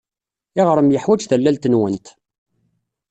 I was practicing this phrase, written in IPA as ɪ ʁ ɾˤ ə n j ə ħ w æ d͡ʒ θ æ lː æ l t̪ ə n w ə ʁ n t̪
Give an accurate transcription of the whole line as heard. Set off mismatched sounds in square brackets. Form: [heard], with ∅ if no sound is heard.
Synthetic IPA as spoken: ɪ ʁ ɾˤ ə [m] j ə ħ w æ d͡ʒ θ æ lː æ l t̪ ə n w ə [∅] n t̪

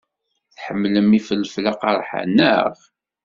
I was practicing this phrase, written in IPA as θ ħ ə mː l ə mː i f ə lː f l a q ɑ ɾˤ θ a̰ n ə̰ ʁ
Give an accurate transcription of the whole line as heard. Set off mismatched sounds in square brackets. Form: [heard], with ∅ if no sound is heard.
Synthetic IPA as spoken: θ ħ ə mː l ə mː i f ə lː f l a q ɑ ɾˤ [ħ] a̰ n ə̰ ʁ

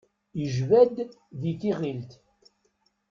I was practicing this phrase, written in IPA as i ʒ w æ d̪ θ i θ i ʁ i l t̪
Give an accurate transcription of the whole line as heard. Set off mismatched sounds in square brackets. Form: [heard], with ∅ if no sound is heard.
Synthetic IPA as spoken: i ʒ [v] æ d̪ [ð] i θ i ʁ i l t̪

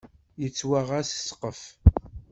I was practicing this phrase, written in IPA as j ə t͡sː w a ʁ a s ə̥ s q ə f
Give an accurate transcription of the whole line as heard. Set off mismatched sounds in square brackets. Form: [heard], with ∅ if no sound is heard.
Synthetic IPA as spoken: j ə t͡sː w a ʁ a s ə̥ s q ə f

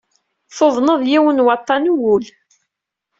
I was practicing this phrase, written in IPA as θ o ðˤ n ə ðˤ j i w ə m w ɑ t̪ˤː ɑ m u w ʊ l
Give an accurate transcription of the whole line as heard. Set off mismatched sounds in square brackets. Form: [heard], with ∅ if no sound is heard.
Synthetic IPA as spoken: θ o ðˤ n ə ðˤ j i w ə [n] w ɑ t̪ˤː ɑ [n] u w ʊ l

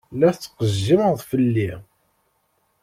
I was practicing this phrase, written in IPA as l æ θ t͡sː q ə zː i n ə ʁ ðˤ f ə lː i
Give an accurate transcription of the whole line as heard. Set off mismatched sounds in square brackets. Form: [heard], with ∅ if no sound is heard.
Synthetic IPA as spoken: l æ θ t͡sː q ə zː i [m] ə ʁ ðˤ f ə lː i

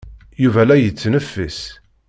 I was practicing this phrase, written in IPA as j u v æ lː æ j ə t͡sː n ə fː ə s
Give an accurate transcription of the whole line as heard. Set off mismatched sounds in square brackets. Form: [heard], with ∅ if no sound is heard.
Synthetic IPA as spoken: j u v æ [l] æ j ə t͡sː n ə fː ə s

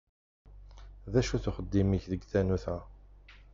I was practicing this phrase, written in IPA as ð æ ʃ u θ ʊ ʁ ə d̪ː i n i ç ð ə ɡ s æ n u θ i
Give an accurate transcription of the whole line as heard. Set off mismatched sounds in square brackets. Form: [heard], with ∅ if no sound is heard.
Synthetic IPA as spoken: ð æ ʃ u θ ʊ [χ] ə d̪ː i [m] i ç ð ə ɡ [θ] æ n u θ [æ]

